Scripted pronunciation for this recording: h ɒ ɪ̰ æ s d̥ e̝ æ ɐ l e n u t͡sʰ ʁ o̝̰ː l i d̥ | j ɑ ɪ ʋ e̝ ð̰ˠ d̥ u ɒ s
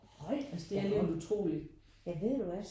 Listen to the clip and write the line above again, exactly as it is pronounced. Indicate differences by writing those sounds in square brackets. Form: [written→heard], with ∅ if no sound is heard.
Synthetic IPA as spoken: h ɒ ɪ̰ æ s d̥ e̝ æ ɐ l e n u t͡sʰ ʁ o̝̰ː l i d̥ | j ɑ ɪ ʋ e̝ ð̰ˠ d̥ u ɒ s